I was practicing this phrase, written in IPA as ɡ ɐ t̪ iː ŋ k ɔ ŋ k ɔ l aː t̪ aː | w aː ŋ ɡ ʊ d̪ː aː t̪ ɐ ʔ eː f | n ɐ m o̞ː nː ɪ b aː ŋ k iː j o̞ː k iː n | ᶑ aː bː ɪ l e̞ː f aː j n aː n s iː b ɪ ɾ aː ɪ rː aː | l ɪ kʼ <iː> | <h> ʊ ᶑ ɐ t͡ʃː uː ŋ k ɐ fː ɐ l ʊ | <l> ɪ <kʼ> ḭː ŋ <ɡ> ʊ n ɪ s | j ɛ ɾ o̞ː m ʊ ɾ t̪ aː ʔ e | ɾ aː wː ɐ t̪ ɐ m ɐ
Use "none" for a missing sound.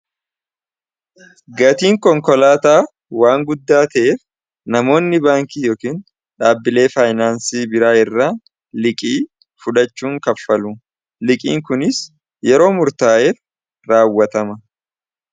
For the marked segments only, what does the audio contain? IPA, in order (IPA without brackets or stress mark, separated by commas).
iː, f, l, kʼ, k